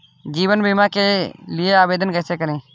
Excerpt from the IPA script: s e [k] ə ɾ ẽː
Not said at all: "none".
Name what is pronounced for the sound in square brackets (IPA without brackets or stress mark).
k